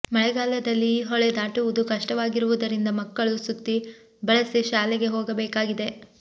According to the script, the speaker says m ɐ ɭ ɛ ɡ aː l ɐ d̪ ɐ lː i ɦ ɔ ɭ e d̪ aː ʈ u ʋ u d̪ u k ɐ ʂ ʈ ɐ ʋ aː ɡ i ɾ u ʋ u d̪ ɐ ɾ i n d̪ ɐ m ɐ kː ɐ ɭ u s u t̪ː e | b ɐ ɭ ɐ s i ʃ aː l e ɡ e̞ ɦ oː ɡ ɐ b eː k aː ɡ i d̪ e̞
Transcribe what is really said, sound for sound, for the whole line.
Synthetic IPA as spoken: m ɐ ɭ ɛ ɡ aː l ɐ d̪ ɐ lː i ɦ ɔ ɭ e d̪ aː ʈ u ʋ u d̪ u k ɐ ʂ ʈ ɐ ʋ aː ɡ i ɾ u ʋ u d̪ ɐ ɾ i n d̪ ɐ m ɐ kː ɐ ɭ u s u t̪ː i | b ɐ ɭ ɐ s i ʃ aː l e ɡ e̞ ɦ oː ɡ ɐ b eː k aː ɡ i d̪ e̞